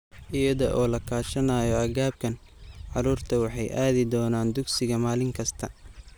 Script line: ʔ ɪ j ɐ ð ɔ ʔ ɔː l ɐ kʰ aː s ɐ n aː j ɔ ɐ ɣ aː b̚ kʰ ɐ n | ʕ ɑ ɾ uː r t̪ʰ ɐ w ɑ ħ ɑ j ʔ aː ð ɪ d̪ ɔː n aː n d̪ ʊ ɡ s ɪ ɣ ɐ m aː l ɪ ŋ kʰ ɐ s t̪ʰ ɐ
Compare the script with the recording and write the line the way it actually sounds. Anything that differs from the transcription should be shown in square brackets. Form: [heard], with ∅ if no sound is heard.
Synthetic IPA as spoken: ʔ ɪ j ɐ ð ɔ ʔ ɔː l ɐ kʰ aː [ʃ] ɐ n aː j ɔ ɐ ɣ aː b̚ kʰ ɐ n | ʕ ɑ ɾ uː r t̪ʰ ɐ w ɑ ħ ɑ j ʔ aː ð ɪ d̪ ɔː n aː n d̪ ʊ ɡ s ɪ ɣ ɐ m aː l ɪ ŋ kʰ ɐ s t̪ʰ ɐ